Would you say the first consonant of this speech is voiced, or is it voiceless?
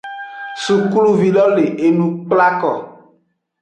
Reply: voiceless